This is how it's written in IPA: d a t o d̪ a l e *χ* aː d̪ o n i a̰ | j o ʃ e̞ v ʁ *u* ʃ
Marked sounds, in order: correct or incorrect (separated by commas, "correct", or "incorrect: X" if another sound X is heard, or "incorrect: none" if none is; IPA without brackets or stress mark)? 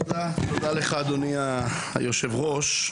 correct, incorrect: o